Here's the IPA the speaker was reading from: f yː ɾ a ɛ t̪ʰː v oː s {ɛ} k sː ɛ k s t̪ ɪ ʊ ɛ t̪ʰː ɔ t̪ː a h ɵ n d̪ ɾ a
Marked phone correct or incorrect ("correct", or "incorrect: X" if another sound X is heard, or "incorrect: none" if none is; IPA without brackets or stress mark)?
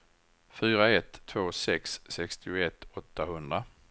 correct